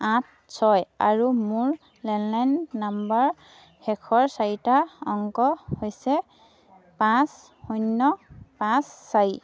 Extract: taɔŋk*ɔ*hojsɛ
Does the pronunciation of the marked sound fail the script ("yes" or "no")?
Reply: no